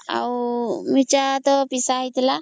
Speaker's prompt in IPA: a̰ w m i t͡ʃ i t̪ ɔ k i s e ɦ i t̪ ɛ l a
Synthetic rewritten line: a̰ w m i t͡ʃ a t̪ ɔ p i s a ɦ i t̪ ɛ l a